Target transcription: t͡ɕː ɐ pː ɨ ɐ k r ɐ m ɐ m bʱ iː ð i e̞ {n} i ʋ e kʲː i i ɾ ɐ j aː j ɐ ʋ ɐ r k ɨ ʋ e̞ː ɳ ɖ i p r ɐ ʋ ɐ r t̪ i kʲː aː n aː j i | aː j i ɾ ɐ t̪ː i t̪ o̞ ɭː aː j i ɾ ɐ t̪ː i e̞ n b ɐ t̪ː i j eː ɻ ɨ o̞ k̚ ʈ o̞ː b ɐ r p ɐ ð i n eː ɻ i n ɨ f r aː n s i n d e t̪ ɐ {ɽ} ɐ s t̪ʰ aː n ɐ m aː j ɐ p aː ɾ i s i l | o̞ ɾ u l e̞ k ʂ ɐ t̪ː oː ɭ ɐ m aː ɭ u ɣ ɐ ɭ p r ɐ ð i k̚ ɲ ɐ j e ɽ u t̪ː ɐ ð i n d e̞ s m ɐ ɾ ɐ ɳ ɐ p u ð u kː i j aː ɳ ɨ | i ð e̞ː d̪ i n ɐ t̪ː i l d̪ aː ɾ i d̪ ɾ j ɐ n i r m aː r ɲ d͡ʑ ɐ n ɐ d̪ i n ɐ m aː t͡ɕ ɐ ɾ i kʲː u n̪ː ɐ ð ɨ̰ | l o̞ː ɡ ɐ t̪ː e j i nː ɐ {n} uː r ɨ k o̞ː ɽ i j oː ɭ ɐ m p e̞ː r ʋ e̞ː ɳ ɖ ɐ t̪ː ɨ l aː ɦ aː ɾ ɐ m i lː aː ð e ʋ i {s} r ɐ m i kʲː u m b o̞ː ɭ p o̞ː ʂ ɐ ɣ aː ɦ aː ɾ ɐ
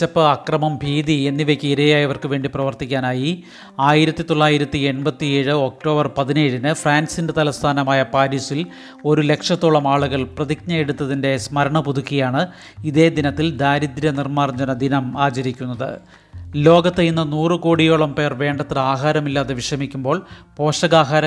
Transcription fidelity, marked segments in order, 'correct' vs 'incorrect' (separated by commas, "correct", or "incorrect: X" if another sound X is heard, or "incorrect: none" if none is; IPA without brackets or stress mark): incorrect: nː, incorrect: l, correct, incorrect: ʂ